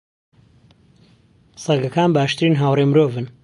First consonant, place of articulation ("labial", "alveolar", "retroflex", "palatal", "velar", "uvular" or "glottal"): alveolar